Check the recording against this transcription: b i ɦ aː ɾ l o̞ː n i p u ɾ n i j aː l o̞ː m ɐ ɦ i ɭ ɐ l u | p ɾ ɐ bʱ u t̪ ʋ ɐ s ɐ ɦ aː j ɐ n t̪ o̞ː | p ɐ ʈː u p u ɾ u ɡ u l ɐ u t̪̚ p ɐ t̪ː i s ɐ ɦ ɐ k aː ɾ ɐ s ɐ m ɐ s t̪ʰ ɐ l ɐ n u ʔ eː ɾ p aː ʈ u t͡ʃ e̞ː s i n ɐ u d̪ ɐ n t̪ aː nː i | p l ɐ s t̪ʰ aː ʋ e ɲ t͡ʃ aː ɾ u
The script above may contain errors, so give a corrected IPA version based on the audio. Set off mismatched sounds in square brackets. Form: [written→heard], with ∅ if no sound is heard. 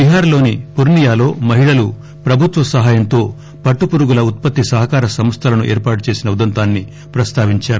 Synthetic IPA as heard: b i ɦ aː ɾ l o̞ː n i p u ɾ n i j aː l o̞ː m ɐ ɦ i ɭ ɐ l u | p ɾ ɐ bʱ u t̪ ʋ ɐ s ɐ ɦ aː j ɐ n t̪ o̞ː | p ɐ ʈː u p u ɾ u ɡ u l ɐ u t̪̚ p ɐ t̪ː i s ɐ ɦ ɐ k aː ɾ ɐ s ɐ m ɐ s t̪ʰ ɐ l ɐ n u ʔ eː ɾ p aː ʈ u t͡ʃ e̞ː s i n ɐ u d̪ ɐ n t̪ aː nː i | p [l→ɾ] ɐ s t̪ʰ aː ʋ [e→i] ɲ t͡ʃ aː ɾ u